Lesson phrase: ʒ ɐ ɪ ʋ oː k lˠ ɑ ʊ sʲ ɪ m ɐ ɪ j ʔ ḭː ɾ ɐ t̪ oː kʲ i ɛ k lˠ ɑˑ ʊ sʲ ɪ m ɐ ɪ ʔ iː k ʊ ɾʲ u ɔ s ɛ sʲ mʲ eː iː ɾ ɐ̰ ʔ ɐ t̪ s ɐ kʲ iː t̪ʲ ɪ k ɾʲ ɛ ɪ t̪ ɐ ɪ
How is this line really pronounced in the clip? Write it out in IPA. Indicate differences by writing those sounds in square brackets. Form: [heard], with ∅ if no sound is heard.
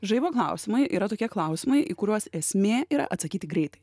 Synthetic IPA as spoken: ʒ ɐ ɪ ʋ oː k lˠ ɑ ʊ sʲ ɪ m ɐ ɪ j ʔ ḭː ɾ ɐ t̪ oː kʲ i ɛ k lˠ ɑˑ ʊ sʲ ɪ m ɐ ɪ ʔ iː k ʊ ɾʲ u ɔ s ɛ sʲ mʲ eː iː ɾ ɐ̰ ʔ ɐ t̪ s ɐ kʲ iː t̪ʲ ɪ [ɡ] ɾʲ ɛ ɪ t̪ ɐ ɪ